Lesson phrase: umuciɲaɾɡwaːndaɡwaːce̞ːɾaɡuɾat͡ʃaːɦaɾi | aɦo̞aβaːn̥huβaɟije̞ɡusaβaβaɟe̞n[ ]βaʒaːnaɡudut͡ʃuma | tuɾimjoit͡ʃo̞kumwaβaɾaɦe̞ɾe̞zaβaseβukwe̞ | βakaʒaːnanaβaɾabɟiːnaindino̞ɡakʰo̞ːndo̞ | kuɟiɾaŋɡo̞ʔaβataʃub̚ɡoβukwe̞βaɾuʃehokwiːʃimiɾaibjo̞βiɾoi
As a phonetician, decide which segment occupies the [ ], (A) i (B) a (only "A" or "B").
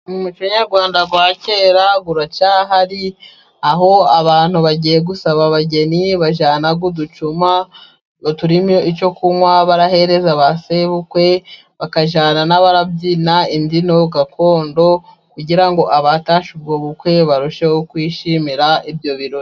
A